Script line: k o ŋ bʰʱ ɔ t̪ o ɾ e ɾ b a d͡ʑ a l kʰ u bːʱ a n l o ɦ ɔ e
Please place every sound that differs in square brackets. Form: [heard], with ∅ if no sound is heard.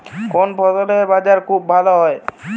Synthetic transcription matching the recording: k o [n] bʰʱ ɔ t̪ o [l] e ɾ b a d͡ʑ a [ɾ] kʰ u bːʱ a [∅] l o ɦ ɔ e